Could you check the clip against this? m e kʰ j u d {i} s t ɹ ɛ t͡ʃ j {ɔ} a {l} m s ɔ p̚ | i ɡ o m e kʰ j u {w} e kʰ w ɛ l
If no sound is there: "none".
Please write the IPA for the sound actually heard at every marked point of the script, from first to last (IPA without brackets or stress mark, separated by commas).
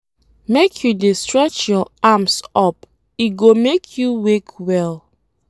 e, ɔ, none, w